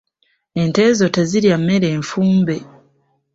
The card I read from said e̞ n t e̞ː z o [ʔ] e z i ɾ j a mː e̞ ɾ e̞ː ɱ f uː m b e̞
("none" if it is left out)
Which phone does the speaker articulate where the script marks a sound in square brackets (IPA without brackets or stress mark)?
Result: t